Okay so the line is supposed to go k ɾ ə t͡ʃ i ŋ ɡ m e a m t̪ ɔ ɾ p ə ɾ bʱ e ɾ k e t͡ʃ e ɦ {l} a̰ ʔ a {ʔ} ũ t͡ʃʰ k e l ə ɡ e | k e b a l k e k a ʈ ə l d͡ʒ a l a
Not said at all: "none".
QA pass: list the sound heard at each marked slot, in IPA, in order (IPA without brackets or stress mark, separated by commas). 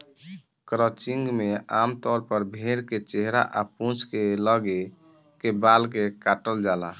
ɾ, p